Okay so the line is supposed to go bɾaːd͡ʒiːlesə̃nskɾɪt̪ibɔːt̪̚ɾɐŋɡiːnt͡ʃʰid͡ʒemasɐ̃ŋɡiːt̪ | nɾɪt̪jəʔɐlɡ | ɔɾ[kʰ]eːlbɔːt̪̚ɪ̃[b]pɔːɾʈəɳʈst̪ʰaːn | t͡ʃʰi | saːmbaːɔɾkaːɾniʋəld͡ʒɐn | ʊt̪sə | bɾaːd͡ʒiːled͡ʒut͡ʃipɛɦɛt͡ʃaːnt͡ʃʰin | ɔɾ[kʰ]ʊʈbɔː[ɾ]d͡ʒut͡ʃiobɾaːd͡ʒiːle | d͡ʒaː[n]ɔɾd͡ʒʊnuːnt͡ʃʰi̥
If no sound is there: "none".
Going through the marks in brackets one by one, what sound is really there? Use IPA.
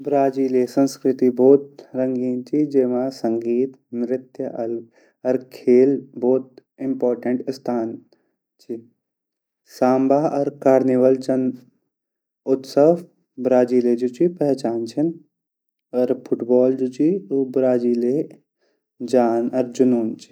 kʰ, m, pʰ, l, n

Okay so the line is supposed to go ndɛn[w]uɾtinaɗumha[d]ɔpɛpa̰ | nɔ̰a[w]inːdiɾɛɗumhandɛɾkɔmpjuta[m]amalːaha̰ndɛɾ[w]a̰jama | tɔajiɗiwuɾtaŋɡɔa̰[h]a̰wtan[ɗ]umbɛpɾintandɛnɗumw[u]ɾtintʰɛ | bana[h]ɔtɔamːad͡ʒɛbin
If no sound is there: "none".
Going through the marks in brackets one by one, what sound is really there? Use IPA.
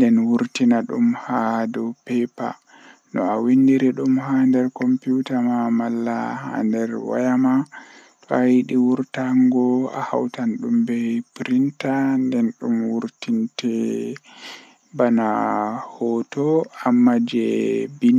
w, d, w, m, w, h, ɗ, u, h

